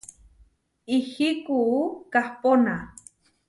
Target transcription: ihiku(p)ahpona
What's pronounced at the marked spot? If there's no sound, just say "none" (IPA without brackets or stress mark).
k